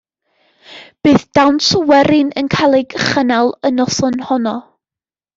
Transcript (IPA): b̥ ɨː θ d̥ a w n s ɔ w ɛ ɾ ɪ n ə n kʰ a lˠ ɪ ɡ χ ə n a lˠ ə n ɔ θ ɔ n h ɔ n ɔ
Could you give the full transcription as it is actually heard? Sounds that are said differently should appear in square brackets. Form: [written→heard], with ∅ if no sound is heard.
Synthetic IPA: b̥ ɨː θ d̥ a w n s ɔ w ɛ ɾ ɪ n ə n kʰ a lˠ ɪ ɡ χ ə n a lˠ ə n ɔ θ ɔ n h ɔ n ɔ

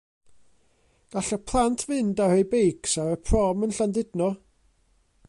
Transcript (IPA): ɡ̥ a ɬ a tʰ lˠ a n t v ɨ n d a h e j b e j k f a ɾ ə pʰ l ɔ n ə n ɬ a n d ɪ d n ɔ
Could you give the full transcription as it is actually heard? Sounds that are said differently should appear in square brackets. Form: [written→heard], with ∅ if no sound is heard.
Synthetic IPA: ɡ̥ a ɬ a [tʰ→pʰ] lˠ a n [t→tʰ] v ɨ n d a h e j b e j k [f→s] a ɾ ə pʰ [l→r] ɔ [n→m] ə n ɬ a n d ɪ d n ɔ

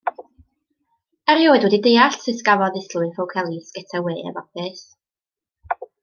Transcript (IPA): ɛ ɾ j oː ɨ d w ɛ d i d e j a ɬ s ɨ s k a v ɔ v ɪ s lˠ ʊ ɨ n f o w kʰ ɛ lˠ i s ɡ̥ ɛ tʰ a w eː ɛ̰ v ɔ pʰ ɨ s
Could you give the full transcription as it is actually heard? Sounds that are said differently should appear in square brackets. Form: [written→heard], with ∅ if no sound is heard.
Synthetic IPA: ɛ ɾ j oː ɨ d w ɛ d i d e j a ɬ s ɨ s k a v ɔ [v→ð] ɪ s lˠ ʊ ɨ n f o w kʰ ɛ lˠ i s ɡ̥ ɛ tʰ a w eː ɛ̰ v ɔ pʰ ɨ s

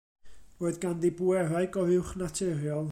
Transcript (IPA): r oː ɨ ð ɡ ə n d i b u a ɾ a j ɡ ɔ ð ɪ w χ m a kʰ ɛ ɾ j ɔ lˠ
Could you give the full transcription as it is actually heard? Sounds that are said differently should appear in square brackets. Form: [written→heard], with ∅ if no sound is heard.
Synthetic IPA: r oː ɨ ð ɡ [ə→a] n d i b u [a→ɛ] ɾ a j ɡ ɔ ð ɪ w χ [m→n] a [kʰ→tʰ] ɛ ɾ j ɔ lˠ

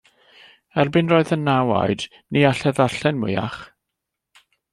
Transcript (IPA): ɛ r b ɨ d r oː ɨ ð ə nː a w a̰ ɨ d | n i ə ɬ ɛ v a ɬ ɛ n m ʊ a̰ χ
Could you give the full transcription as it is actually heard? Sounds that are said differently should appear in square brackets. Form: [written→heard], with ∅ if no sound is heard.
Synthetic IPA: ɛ r b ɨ [d→n] r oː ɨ ð ə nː a w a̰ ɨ d | n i [ə→a] ɬ ɛ [v→ð] a ɬ ɛ n m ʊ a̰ χ

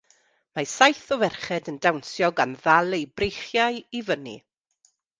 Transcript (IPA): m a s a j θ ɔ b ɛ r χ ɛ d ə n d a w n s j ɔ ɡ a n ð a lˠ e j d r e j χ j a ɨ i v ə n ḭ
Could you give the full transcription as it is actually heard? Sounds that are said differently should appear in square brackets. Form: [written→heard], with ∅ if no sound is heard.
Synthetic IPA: m a s a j θ ɔ [b→v] ɛ r χ ɛ d ə n d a w n s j ɔ ɡ a n ð a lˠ e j [d→b] r e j χ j a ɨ i v ə n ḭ

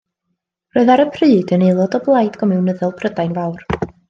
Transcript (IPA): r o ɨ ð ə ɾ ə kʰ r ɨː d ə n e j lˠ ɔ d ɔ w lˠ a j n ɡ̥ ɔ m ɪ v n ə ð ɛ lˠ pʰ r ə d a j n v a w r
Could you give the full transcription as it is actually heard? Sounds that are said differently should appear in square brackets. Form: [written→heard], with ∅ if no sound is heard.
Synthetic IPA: r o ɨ ð [ə→a] ɾ ə [kʰ→pʰ] r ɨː d ə n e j lˠ ɔ d ɔ [w→b] lˠ a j [n→d] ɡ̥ ɔ m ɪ [v→w] n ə ð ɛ lˠ pʰ r ə d a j n v a w r

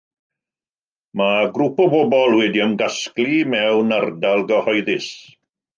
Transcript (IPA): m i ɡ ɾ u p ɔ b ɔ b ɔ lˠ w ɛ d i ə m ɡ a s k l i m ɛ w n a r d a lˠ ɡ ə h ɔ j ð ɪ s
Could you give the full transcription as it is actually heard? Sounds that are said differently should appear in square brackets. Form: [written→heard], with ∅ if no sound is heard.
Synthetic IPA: m [i→a] ɡ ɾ u p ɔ b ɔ b ɔ lˠ w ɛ d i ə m ɡ a s k l i m ɛ w n a r d a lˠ ɡ ə h ɔ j ð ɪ s

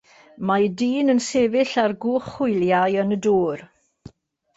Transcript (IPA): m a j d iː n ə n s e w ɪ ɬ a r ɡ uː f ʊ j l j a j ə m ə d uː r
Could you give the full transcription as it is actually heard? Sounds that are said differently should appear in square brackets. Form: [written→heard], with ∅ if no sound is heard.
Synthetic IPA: m a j d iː n ə n s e [w→v] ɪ ɬ a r ɡ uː [f→χ] ʊ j l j a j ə [m→n] ə d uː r

